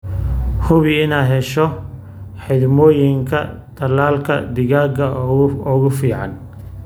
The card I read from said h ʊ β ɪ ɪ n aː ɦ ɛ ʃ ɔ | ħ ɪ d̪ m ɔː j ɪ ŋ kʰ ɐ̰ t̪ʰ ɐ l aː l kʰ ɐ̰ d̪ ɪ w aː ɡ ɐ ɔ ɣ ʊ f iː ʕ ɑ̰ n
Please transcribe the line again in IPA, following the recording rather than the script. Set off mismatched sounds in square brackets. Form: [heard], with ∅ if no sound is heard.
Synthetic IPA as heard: h ʊ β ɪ ɪ n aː ɦ ɛ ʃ ɔ | ħ ɪ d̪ m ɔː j ɪ ŋ kʰ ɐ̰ t̪ʰ ɐ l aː l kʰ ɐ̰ d̪ ɪ [ɣ] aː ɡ ɐ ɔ ɣ ʊ f iː ʕ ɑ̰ n